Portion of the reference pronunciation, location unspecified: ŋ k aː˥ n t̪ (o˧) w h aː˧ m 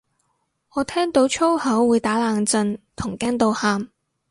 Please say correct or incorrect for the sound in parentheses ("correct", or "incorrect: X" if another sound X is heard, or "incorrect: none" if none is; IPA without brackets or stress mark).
correct